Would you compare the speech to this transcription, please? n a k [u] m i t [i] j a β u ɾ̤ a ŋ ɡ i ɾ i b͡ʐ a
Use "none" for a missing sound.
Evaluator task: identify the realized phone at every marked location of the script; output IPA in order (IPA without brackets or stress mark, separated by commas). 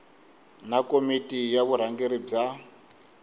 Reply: o, i